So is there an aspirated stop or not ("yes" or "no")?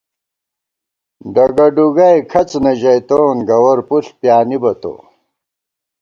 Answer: yes